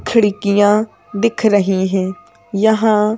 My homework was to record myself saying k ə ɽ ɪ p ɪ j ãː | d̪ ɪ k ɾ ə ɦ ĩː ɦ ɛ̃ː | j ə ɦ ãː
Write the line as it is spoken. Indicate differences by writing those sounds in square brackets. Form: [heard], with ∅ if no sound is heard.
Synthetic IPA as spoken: [kʰ] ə ɽ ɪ [k] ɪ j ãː | d̪ ɪ [kʰ] ɾ ə ɦ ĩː ɦ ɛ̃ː | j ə ɦ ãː